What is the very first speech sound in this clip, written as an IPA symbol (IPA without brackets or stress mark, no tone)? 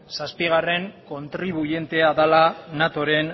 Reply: s